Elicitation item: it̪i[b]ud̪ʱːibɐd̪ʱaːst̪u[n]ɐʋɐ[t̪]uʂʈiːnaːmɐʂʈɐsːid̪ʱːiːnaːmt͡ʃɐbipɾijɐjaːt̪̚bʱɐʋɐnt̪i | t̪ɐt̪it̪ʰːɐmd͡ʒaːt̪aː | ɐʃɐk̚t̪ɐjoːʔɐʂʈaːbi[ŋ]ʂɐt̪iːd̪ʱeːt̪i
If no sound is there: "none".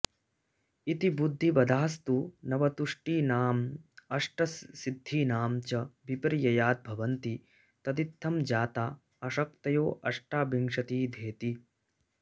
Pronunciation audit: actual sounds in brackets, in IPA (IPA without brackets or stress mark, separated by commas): b, n, t̪, ŋ